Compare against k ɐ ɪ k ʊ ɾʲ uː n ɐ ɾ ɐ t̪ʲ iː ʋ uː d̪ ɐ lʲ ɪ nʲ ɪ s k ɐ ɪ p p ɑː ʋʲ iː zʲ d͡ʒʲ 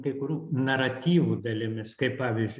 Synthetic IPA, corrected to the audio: k ɐ ɪ k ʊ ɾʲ uː n ɐ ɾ ɐ t̪ʲ iː ʋ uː d̪ ɐ lʲ ɪ mʲ ɪ s k ɐ ɪ p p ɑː ʋʲ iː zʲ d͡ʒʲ